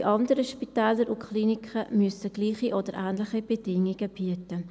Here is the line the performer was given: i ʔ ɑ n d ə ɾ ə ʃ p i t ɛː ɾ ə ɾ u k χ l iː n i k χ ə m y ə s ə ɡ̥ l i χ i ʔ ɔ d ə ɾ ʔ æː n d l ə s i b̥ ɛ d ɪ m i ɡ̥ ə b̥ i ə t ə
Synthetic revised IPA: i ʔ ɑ n d ə ɾ ə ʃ p i t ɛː l ə ɾ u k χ l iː n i k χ ə m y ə s ə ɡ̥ l iː χ i ʔ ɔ d ə ɾ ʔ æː n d l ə χ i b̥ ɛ d ɪ ŋ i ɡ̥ ə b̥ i ə t ə